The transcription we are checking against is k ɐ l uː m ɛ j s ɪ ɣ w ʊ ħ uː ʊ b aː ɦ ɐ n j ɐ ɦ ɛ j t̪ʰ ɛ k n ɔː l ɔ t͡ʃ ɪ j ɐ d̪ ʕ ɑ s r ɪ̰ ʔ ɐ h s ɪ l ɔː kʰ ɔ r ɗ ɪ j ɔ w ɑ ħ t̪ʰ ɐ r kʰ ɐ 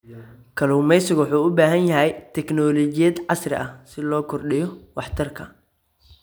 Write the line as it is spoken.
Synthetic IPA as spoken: kʰ ɐ l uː m ɛ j s ɪ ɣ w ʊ ħ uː ʊ b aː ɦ ɐ n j ɐ ɦ ɛ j t̪ʰ ɛ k n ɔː l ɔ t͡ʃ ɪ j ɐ d̪ ʕ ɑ s r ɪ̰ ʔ ɐ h s ɪ l ɔː kʰ ɔ r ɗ ɪ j ɔ w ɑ ħ t̪ʰ ɐ r kʰ ɐ